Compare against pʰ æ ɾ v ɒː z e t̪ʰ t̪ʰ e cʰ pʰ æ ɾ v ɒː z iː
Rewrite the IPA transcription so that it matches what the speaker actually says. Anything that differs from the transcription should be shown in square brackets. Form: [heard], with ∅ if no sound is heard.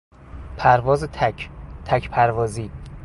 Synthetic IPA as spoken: pʰ æ ɾ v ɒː z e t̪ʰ t̪ʰ [æ] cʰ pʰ æ ɾ v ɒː z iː